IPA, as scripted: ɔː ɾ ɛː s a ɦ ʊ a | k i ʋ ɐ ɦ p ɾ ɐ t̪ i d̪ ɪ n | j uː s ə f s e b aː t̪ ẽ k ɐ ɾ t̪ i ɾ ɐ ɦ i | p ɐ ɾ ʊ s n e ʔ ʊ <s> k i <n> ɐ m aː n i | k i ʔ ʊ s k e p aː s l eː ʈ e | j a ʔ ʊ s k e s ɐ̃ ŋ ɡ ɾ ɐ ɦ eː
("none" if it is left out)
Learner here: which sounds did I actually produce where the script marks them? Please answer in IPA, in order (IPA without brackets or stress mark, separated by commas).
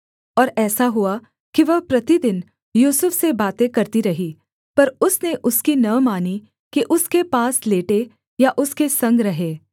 s, n